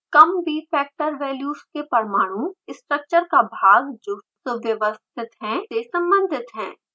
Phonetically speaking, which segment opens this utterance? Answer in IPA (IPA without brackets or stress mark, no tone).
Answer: k